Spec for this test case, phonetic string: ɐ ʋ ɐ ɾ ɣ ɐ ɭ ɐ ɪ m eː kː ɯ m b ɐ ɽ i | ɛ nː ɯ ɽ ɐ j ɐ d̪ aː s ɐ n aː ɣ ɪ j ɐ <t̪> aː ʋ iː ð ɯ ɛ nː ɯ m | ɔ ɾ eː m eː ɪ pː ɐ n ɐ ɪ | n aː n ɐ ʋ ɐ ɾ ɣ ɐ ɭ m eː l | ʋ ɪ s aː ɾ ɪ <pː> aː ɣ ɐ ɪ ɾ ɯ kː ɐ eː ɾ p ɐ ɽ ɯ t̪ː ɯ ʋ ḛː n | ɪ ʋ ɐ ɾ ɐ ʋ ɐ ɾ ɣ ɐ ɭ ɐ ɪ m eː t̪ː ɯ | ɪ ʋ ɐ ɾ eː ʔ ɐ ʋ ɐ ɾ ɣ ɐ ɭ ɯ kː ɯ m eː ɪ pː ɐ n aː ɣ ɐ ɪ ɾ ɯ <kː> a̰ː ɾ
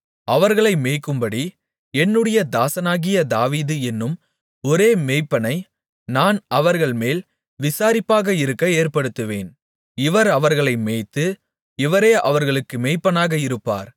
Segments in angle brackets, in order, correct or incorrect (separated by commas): incorrect, correct, incorrect